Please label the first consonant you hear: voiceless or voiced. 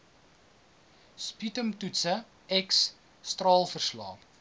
voiceless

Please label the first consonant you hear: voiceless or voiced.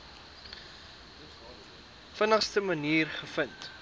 voiceless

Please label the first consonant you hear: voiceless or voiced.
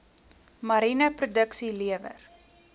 voiced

